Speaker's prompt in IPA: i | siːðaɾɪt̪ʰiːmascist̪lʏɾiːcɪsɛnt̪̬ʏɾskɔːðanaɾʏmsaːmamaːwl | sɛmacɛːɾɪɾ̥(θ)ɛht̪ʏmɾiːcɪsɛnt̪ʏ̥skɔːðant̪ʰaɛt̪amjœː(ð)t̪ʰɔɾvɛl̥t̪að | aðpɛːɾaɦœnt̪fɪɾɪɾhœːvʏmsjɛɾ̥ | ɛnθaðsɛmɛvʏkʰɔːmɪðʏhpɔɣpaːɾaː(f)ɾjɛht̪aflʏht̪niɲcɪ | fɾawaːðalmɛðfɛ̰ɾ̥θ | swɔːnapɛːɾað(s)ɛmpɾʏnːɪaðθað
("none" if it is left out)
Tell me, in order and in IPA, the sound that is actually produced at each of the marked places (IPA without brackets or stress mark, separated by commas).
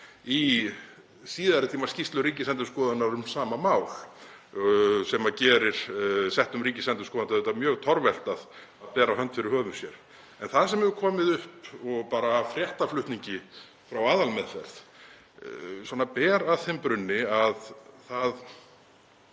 s, ɣ, f, θ